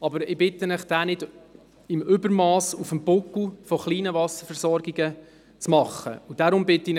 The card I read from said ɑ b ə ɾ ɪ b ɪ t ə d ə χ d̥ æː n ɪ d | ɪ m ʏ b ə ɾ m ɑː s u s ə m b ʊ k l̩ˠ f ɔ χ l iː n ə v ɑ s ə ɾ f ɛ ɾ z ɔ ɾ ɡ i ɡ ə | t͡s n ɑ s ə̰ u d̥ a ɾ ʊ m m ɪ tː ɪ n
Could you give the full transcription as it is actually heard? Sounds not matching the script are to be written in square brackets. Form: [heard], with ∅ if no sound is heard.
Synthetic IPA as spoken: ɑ b ə ɾ ɪ b ɪ t ə [n] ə χ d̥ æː n ɪ d | ɪ m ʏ b ə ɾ m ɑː s u [f] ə m b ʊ k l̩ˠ f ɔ χ l iː n ə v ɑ s ə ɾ f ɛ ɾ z ɔ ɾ ɡ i ɡ ə | t͡s [m] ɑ [χ] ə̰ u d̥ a ɾ ʊ m [b] ɪ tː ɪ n